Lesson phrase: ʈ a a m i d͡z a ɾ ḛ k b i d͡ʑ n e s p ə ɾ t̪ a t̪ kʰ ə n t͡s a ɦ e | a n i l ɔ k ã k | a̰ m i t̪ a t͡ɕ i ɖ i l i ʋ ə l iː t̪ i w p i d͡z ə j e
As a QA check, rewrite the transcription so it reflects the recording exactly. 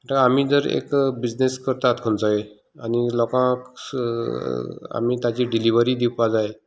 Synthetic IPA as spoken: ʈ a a m i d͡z ə ɾ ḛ k b i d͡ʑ n e s k ə ɾ t̪ a t̪ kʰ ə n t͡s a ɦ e | a n i l ɔ k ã k | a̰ m i t̪ a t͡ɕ i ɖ i l i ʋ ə ɾ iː d̪ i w p a d͡z a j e